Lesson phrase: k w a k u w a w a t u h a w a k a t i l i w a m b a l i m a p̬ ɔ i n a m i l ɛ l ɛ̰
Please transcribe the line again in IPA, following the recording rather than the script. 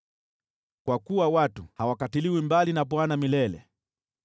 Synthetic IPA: k w a k u w a w a t u h a w a k a t i l i w i m b a l i n a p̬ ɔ a n a m i l ɛ l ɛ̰